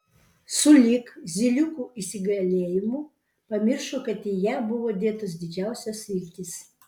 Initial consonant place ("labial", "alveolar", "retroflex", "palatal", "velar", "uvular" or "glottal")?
alveolar